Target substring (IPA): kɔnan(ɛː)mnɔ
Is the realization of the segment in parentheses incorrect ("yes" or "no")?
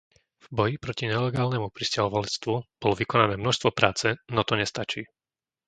no